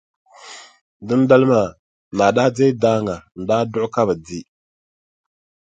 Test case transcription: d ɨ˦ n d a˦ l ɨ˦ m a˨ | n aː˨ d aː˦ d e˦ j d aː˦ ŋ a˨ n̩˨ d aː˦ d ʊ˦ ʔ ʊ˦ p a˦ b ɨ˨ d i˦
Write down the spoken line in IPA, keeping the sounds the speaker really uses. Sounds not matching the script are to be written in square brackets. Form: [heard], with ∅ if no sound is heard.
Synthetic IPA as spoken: d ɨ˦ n d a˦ l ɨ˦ m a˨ | n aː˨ d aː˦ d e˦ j d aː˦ ŋ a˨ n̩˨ d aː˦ d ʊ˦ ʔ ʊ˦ [k] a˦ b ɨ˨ d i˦